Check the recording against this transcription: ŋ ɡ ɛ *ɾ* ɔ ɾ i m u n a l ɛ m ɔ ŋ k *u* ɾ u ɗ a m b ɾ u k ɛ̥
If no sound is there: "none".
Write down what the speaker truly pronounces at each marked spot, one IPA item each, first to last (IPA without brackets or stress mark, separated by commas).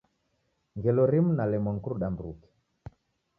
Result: l, u